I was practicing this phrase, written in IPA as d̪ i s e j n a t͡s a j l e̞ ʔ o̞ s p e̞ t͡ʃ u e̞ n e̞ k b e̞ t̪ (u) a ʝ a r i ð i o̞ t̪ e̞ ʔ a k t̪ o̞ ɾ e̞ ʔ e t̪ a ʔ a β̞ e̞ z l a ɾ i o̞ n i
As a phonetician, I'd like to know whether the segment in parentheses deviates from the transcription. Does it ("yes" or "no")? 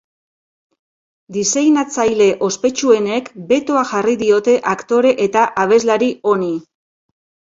yes